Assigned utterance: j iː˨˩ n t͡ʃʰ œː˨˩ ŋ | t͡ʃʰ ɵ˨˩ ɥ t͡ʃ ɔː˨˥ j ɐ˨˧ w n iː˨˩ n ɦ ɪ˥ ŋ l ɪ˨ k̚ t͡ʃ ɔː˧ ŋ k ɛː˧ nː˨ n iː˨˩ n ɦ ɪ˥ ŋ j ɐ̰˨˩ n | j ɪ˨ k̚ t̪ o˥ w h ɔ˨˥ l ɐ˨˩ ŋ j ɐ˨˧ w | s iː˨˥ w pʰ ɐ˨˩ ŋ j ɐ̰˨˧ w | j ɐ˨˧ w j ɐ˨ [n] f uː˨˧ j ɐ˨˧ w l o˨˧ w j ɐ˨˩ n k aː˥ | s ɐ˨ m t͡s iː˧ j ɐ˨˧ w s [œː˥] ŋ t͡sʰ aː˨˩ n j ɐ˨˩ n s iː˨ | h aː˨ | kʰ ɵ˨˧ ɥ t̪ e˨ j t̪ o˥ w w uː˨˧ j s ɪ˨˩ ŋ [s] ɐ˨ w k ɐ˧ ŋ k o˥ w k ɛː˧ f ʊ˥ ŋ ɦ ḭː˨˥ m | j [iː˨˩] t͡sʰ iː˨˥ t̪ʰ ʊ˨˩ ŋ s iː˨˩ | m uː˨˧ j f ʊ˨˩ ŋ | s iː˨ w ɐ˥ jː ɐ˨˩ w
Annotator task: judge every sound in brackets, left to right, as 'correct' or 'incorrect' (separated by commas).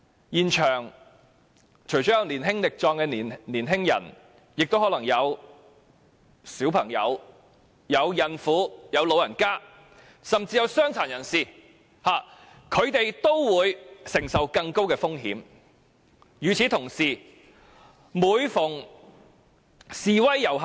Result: correct, correct, correct, incorrect